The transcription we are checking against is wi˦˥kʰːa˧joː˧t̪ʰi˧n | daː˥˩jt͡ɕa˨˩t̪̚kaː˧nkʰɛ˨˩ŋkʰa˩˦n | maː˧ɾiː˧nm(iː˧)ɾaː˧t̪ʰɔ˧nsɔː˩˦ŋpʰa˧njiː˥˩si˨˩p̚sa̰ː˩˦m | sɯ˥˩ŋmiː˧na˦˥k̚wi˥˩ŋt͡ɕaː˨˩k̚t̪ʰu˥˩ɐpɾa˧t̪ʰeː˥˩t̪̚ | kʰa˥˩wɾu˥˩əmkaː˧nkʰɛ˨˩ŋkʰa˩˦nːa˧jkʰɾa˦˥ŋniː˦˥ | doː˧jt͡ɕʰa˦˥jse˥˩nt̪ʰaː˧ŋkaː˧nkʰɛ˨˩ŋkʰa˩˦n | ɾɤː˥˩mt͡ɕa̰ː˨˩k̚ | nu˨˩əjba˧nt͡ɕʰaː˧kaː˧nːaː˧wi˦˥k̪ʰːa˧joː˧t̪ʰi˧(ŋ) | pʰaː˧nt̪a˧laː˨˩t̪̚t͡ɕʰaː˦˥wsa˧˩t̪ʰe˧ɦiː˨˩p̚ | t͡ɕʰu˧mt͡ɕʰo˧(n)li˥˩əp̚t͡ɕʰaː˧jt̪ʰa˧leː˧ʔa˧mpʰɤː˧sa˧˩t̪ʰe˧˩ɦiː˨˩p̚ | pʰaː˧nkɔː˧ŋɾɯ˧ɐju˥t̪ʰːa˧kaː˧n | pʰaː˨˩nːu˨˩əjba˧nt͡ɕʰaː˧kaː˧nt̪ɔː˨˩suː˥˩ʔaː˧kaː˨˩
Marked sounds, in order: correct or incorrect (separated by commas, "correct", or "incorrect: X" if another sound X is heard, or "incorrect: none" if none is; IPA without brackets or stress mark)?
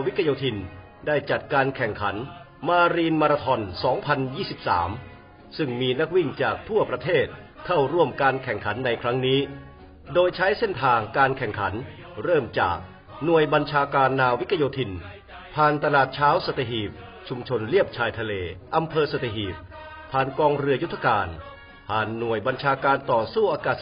incorrect: aː˧, incorrect: n, correct